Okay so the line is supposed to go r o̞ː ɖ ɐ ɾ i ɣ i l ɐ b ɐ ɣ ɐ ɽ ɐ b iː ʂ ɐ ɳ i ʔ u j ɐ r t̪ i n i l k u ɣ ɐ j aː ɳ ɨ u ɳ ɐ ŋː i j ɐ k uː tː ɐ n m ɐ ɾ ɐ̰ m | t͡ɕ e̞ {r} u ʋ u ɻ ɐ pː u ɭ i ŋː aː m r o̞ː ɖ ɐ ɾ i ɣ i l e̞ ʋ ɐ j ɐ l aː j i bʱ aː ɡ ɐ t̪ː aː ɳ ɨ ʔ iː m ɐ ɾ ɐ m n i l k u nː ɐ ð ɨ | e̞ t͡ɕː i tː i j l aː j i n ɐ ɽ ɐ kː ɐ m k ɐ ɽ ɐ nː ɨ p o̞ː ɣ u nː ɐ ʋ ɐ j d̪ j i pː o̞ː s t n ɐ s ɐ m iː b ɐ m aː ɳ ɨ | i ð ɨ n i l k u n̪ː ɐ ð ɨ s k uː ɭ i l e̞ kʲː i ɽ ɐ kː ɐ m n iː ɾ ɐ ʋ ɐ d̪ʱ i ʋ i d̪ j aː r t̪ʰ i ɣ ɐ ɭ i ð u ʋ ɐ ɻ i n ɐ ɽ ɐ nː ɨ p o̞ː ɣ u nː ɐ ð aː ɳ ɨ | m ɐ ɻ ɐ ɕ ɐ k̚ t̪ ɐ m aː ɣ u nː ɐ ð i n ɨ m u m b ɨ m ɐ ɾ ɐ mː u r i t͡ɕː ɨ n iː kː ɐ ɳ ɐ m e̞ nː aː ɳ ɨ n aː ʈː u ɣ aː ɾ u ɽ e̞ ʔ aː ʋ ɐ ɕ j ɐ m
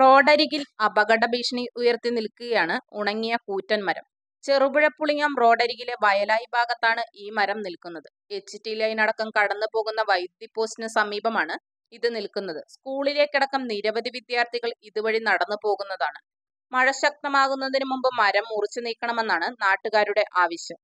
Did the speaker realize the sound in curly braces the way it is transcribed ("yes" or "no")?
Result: yes